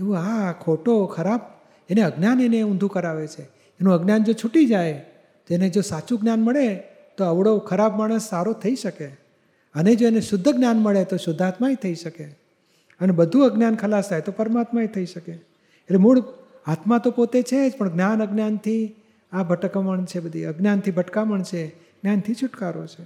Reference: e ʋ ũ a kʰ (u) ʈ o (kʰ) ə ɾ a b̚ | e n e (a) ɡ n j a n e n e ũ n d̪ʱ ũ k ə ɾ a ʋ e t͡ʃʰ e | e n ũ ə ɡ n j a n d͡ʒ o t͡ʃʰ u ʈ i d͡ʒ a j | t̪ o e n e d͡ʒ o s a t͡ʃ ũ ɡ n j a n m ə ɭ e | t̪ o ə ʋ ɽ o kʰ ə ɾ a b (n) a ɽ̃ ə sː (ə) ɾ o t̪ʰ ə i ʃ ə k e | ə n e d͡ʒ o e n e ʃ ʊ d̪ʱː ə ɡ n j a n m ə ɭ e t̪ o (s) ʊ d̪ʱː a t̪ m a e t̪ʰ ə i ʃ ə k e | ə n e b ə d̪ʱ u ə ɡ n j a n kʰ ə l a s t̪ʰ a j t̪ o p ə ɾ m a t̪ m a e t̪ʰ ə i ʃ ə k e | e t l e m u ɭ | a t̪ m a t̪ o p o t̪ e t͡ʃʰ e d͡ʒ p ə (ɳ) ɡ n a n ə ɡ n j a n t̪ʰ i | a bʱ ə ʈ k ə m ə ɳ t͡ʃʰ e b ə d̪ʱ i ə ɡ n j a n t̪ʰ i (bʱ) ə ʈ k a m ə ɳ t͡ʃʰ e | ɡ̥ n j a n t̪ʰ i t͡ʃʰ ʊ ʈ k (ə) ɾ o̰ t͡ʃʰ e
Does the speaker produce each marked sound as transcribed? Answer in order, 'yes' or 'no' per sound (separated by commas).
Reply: no, yes, no, no, no, no, yes, yes, no